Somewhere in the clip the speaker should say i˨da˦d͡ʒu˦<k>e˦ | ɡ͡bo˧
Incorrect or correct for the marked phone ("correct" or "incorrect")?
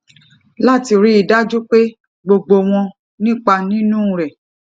incorrect